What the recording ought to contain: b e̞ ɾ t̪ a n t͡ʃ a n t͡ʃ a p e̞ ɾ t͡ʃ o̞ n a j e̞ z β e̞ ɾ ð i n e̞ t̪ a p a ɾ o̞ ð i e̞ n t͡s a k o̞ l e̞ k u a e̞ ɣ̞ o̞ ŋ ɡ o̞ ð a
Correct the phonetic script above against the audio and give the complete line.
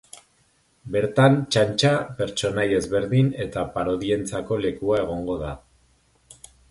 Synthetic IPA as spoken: b e̞ ɾ t̪ a n t͡ʃ a n t͡ʃ a p e̞ ɾ t͡ʃ o̞ n a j e̞ z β e̞ ɾ ð i n e̞ t̪ a p a ɾ o̞ ð i e̞ n t͡s a k o̞ l e̞ k u a e̞ ɣ̞ o̞ ŋ ɡ o̞ ð a